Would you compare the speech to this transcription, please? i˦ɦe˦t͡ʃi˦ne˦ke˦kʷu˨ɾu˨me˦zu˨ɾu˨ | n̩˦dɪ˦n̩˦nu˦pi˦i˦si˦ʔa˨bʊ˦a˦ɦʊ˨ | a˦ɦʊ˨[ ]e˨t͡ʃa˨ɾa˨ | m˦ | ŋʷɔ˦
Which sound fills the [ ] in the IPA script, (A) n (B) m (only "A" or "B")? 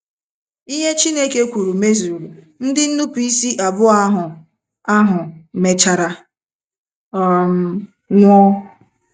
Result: B